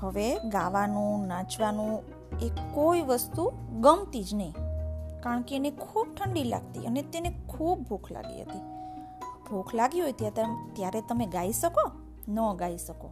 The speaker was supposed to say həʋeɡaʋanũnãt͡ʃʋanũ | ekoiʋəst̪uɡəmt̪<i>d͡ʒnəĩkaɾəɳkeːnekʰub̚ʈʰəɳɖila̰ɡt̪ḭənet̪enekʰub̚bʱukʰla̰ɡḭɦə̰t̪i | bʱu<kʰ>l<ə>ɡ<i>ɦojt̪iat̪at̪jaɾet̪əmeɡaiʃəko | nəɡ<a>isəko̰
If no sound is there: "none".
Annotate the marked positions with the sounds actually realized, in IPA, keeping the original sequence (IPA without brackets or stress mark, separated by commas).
i, kʰ, a, i, a